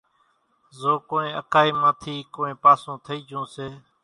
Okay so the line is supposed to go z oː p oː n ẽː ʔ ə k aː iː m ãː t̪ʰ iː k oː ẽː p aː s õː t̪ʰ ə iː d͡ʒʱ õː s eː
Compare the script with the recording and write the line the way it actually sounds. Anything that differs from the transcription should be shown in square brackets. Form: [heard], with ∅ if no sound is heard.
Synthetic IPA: z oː [k] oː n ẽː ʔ ə k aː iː m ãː t̪ʰ iː k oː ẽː p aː s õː t̪ʰ ə iː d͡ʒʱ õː s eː